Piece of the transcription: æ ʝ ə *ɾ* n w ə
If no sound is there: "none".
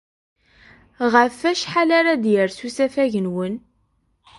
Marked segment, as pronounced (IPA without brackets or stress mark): none